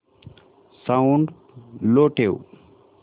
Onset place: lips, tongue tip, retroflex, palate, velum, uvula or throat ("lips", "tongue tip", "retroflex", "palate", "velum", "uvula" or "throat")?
tongue tip